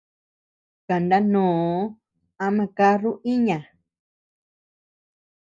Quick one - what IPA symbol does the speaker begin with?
k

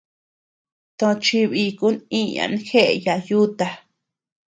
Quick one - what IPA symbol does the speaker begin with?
t̪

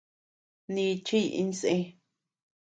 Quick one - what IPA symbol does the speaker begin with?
n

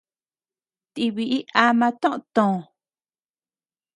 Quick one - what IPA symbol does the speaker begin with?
t̪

